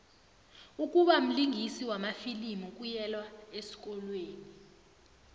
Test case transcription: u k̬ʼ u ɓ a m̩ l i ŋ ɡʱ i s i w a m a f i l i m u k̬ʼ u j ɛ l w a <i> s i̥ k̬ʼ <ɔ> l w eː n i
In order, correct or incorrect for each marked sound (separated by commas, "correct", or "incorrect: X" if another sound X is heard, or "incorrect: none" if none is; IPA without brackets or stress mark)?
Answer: incorrect: e, correct